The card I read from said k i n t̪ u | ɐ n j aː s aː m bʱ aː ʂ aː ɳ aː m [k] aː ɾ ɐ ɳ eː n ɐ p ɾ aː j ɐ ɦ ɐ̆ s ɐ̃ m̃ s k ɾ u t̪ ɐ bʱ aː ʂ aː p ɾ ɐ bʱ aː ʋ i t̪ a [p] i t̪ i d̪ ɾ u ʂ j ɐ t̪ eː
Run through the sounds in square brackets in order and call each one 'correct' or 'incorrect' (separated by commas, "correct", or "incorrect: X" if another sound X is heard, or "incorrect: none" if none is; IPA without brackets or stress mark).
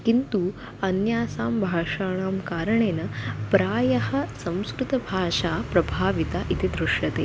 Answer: correct, incorrect: ʔ